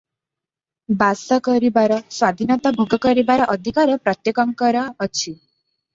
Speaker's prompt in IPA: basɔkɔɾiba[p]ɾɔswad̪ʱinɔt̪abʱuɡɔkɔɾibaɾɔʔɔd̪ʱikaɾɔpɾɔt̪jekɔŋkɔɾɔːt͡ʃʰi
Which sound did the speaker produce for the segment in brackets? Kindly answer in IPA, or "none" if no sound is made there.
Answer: none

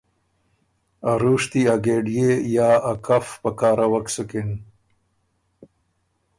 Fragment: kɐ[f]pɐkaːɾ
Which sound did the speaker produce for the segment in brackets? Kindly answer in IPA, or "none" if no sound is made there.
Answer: f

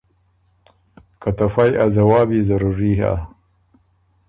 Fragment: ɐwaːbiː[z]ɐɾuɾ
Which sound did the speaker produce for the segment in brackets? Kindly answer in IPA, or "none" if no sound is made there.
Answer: z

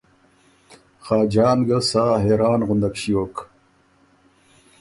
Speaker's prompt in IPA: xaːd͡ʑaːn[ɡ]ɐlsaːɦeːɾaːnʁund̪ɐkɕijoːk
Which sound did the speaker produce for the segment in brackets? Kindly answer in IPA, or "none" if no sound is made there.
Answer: ɡ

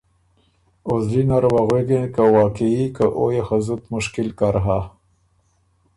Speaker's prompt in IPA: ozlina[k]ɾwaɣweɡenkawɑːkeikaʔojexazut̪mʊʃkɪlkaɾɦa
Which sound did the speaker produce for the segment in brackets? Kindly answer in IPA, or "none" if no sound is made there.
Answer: none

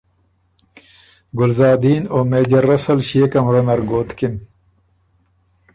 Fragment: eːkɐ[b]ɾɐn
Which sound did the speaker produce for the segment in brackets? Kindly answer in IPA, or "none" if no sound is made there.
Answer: m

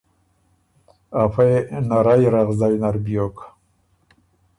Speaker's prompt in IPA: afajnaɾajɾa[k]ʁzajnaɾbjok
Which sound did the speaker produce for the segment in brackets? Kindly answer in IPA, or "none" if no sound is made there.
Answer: none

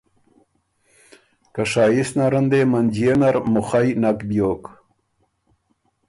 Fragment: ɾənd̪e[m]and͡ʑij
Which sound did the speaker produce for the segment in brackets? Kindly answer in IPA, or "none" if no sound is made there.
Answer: m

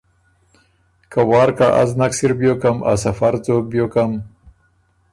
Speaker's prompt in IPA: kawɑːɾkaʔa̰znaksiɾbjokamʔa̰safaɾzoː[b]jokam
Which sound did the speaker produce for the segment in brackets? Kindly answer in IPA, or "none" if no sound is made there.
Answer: b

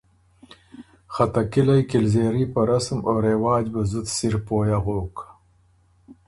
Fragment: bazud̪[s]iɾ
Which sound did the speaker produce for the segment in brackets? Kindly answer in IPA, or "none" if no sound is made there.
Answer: s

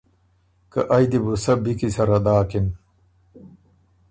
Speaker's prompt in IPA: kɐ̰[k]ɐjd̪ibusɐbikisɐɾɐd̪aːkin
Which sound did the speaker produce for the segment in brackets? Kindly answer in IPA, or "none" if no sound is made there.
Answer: ʔ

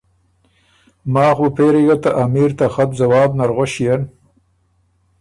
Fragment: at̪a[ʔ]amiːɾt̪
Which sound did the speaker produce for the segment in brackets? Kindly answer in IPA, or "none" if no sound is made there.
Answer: ʔ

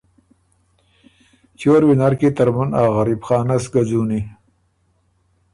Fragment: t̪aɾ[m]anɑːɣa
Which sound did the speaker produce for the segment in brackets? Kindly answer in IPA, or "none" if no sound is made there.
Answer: m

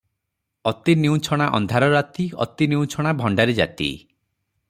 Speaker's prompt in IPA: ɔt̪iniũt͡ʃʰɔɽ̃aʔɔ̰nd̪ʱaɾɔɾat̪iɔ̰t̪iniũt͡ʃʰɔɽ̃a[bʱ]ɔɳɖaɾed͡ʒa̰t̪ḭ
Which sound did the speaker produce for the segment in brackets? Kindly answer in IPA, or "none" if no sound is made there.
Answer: bʱ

